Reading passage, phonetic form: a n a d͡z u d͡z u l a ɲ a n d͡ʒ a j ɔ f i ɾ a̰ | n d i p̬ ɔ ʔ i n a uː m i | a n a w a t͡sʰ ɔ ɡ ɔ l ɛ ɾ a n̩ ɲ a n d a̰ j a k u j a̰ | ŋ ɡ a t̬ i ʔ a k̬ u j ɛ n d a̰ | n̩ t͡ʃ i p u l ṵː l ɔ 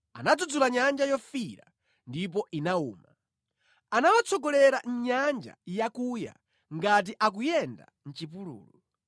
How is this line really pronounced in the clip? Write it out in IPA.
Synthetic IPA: a n a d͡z u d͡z u l a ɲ a n d͡ʒ a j ɔ f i ɾ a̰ | n d i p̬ ɔ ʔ i n a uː m a | a n a w a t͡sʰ ɔ ɡ ɔ l ɛ ɾ a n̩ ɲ a n d͡ʒ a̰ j a k u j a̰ | ŋ ɡ a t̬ i ʔ a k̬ u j ɛ n d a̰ | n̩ t͡ʃ i p u l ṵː l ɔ